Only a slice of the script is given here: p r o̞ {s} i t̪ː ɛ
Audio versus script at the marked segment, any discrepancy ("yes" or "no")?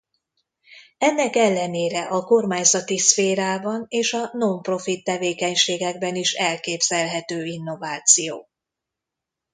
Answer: yes